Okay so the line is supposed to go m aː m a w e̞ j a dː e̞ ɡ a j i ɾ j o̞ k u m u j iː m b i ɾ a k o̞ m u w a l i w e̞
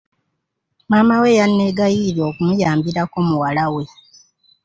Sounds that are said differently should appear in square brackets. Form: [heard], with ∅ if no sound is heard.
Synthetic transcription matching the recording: m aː m a w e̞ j a [nː] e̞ ɡ a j i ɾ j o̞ k u m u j [aː] m b i ɾ a k o̞ m u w a l [a] w e̞